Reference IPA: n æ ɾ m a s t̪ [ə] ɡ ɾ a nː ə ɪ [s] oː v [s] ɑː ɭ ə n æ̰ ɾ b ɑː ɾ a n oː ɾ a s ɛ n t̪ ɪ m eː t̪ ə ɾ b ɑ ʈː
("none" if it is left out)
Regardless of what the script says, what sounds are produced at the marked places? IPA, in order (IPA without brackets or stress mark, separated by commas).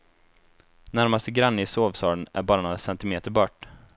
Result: ə, s, s